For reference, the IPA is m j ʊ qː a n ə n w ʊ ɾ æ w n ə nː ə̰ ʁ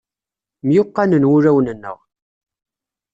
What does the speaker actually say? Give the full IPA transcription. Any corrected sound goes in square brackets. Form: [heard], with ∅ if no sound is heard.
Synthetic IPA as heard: m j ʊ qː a n ə n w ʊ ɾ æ w n ə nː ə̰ ʁ